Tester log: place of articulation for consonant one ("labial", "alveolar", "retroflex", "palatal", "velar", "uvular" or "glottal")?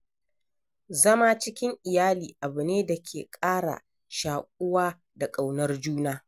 alveolar